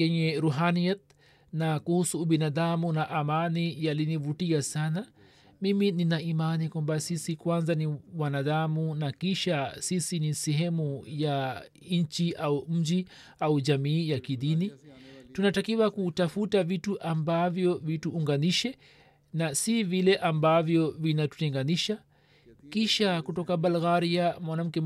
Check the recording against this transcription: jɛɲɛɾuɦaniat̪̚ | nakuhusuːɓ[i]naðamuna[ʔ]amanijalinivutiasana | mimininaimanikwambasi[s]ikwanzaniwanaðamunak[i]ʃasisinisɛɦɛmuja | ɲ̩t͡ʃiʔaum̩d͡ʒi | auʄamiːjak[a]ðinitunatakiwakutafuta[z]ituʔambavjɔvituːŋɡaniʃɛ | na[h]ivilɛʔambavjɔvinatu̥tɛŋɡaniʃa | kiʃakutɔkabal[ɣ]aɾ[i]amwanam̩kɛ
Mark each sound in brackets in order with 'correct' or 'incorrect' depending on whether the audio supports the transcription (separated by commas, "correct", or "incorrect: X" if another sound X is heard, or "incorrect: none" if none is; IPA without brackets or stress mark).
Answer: correct, correct, correct, correct, incorrect: i, incorrect: v, incorrect: s, correct, correct